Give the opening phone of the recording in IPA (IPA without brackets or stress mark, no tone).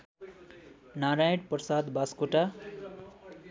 n